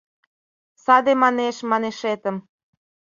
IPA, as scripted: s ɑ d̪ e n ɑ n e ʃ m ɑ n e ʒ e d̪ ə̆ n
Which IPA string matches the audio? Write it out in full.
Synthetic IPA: s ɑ d̪ e m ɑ n e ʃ m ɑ n e ʃ e t̪ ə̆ m